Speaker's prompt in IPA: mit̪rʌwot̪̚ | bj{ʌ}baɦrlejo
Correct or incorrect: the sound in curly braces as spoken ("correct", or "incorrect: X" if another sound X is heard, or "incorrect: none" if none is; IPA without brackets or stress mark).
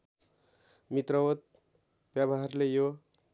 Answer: incorrect: a